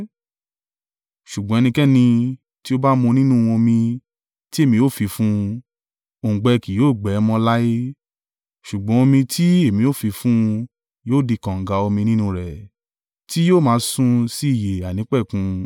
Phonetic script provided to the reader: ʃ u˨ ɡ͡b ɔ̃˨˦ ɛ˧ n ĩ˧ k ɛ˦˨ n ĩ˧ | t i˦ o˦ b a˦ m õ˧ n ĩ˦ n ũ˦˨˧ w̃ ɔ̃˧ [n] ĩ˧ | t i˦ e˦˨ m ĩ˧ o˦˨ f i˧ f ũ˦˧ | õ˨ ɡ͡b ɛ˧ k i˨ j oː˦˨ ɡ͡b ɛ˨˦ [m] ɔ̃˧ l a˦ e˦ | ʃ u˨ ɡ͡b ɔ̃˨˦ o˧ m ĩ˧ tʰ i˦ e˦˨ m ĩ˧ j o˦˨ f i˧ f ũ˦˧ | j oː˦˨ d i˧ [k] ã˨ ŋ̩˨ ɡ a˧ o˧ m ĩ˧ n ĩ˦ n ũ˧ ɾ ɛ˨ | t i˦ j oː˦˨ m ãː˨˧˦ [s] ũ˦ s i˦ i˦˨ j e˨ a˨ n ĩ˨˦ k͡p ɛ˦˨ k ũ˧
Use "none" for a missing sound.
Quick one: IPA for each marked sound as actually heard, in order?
m, m, k, s

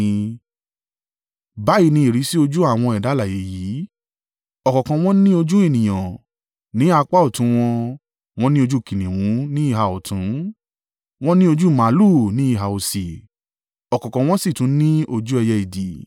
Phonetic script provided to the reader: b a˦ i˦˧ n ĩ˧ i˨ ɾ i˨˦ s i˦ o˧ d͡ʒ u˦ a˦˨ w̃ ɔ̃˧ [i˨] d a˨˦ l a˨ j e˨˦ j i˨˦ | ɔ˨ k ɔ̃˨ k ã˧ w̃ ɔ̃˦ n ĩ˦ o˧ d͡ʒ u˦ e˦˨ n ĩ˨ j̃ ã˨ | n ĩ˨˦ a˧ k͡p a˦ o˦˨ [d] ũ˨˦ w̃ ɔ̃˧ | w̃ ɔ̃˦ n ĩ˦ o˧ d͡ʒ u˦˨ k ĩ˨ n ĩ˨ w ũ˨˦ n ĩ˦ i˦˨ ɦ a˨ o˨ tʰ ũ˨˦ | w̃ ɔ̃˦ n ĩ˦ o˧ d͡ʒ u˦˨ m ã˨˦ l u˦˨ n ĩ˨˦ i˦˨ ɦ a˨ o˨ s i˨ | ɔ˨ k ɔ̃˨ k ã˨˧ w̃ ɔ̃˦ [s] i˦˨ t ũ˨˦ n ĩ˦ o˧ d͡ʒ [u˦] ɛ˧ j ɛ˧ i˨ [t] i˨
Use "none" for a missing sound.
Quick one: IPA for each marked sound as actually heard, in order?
ɛ˨, t, s, u˦, d

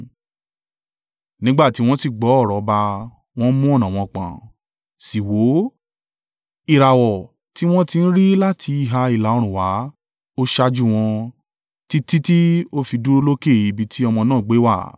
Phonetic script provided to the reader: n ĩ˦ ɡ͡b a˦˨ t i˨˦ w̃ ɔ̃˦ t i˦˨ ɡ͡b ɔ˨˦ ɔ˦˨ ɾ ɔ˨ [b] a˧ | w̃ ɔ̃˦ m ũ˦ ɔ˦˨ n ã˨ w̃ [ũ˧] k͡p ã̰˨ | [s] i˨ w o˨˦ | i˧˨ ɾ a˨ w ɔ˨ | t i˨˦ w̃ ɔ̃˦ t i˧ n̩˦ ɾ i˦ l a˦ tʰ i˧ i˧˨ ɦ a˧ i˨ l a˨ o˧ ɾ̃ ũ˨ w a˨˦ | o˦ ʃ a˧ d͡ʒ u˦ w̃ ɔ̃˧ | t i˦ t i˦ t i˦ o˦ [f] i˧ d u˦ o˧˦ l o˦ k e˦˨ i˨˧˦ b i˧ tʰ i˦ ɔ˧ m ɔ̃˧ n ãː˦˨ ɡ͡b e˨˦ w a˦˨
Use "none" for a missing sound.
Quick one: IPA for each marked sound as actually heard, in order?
b, ɔ̃˧, s, f

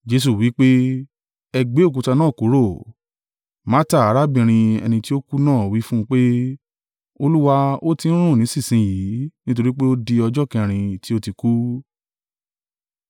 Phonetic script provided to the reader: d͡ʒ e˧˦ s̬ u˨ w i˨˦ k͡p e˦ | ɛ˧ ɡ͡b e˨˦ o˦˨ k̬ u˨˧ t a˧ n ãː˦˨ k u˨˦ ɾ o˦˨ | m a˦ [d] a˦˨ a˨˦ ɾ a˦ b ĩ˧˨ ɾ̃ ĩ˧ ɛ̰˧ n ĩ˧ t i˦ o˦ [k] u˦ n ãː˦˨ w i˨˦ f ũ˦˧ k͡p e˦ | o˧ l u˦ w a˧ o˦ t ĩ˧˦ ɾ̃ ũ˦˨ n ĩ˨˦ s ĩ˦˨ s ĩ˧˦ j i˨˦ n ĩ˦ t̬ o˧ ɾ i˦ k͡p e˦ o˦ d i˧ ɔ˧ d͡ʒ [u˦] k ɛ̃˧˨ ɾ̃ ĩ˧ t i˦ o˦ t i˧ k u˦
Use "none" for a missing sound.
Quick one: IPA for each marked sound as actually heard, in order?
t, k, ɔ˦

